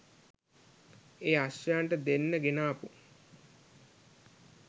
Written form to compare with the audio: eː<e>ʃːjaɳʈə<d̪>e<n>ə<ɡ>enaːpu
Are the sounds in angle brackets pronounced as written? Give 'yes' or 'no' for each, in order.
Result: no, yes, no, yes

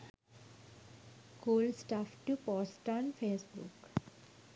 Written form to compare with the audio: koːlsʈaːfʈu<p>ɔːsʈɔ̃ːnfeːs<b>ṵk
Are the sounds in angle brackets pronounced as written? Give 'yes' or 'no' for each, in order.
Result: yes, yes

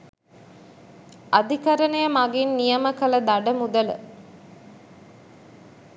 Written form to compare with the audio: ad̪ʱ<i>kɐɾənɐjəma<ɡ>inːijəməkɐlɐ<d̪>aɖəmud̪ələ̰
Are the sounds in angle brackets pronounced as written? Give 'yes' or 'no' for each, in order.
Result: yes, yes, yes

